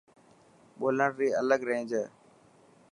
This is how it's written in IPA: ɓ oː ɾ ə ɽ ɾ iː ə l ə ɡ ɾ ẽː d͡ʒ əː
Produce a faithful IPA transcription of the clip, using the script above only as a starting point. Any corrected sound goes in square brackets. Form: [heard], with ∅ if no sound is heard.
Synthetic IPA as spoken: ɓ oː [l] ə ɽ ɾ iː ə l ə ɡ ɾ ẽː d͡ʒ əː